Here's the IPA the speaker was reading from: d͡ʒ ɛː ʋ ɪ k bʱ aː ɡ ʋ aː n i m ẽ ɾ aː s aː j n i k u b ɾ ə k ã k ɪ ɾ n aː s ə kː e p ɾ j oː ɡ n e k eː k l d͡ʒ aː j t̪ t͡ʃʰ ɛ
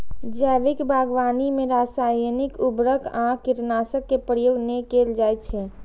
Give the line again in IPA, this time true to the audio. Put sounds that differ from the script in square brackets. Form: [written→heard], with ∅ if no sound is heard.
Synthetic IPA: d͡ʒ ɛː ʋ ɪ k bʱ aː ɡ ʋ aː n i m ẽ ɾ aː s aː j n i k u b ɾ ə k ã k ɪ ɾ n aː s ə kː e p ɾ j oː ɡ n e k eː [k→∅] l d͡ʒ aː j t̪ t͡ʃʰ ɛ